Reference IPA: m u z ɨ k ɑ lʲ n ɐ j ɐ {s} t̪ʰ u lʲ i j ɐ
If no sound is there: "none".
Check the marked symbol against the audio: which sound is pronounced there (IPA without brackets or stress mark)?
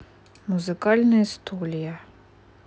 s